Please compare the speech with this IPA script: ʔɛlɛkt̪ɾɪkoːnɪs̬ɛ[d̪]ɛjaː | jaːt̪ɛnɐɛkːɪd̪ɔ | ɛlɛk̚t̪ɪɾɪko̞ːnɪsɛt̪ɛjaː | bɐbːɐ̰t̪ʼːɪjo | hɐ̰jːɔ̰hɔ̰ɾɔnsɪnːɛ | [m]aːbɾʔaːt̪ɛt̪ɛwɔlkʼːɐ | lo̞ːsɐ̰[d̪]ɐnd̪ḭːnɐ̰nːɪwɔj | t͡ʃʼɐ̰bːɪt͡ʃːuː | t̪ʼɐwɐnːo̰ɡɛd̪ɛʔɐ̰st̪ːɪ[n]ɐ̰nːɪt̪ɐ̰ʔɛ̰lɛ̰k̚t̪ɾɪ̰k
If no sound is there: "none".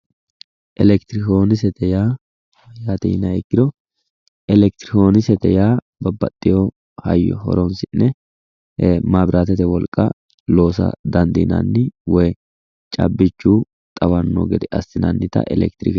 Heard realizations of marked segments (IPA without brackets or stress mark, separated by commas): t̪, m, d̪, n